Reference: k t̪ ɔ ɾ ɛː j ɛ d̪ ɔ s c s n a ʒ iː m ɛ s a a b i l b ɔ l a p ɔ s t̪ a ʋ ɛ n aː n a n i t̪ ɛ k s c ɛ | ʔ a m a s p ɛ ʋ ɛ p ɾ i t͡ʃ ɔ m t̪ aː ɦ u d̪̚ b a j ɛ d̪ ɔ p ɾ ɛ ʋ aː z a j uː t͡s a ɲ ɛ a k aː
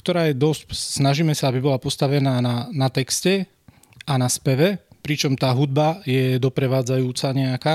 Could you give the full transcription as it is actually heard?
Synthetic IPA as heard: k t̪ ɔ ɾ aː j ɛ d̪ ɔ s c s n a ʒ iː m ɛ s a a b i b ɔ l a p ɔ s t̪ a ʋ ɛ n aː n a n a t̪ ɛ k s c ɛ | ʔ a n a s p ɛ ʋ ɛ p ɾ i t͡ʃ ɔ m t̪ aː ɦ u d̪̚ b a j ɛ d̪ ɔ p ɾ ɛ ʋ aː d͡z a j uː t͡s a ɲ ɛ a k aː